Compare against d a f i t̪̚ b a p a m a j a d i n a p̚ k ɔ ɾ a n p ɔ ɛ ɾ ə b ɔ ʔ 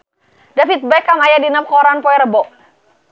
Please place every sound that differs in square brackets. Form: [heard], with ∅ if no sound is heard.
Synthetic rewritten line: d a f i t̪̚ b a [k] a m a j a d i n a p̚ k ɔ ɾ a n p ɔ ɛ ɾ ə b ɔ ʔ